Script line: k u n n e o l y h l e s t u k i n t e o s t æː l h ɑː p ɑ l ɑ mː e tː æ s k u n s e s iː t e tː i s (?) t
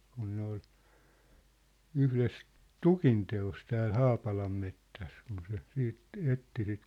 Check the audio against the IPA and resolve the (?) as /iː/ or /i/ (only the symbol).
i